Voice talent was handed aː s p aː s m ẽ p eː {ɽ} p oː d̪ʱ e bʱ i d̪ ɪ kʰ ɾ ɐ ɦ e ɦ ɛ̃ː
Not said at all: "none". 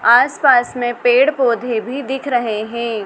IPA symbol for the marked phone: ɽ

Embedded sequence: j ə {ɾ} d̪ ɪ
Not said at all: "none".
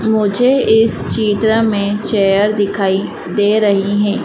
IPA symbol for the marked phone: ɾ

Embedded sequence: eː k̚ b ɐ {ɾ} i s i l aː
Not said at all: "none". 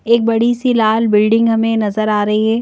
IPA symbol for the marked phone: ɽ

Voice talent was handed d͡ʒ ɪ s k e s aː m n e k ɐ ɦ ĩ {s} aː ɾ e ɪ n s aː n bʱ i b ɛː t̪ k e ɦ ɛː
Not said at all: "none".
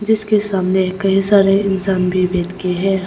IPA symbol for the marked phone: s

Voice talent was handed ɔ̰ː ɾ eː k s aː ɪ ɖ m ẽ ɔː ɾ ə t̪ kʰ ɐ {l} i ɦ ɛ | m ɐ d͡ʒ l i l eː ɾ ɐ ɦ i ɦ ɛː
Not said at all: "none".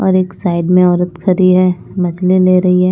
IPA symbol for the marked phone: ɾ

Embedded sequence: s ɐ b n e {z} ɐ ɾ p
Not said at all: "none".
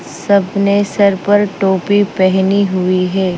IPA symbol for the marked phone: s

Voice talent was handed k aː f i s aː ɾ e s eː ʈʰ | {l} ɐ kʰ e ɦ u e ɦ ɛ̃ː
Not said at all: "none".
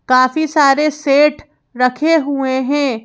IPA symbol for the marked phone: ɾ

